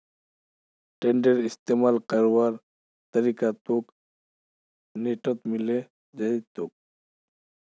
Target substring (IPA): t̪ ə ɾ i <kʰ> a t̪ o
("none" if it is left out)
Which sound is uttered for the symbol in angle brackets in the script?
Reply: k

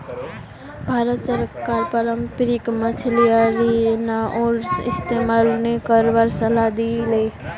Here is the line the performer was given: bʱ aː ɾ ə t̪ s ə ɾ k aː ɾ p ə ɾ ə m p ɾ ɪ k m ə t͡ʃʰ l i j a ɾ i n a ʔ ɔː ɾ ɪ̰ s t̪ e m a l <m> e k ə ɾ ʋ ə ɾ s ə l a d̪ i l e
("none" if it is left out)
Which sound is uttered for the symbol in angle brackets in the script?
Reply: n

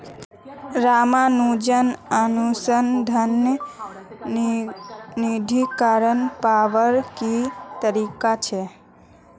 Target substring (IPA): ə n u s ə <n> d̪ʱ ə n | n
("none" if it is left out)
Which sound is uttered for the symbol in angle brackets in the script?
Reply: n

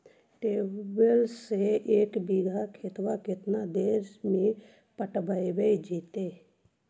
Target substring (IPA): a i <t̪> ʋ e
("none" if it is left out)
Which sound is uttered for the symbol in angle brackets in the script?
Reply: none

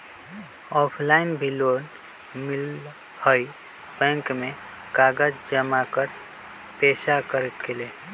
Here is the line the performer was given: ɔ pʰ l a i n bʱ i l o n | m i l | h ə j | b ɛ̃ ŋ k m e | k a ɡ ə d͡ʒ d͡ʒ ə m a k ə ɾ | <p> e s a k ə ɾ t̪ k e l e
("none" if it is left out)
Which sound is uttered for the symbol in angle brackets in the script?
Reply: p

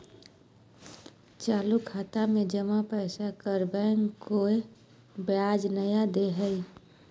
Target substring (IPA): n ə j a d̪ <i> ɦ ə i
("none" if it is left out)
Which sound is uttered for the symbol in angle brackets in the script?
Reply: e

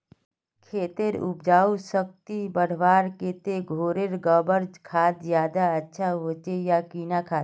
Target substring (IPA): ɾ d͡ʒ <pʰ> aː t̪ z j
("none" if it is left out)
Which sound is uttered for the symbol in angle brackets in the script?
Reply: kʰ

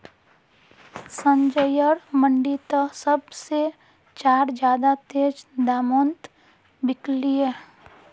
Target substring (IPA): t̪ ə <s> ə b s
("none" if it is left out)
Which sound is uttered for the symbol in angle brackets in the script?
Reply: s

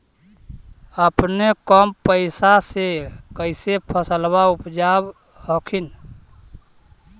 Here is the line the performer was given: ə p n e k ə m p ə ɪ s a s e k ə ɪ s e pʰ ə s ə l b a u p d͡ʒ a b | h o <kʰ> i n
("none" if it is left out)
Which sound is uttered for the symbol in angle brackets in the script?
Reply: kʰ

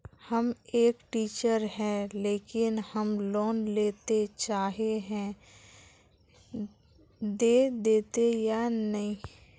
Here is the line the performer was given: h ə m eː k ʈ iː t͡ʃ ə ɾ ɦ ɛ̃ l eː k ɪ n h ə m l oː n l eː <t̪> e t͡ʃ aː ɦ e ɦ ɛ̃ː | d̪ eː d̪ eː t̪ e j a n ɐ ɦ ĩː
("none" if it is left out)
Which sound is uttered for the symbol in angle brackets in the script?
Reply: t̪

